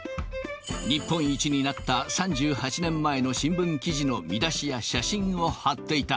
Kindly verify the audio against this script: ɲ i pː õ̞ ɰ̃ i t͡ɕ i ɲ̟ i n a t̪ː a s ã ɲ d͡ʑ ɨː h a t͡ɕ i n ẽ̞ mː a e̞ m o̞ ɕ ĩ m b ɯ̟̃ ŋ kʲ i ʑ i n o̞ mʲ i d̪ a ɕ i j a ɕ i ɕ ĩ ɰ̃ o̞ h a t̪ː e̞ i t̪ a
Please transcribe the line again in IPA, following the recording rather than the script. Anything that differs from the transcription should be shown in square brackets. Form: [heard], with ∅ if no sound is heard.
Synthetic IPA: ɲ i pː õ̞ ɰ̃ i t͡ɕ i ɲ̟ i n a t̪ː a s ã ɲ d͡ʑ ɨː h a t͡ɕ i n ẽ̞ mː a e̞ [n] o̞ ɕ ĩ m b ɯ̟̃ ŋ kʲ i ʑ i n o̞ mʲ i d̪ a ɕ i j a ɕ [a] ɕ ĩ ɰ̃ o̞ h a t̪ː e̞ i t̪ a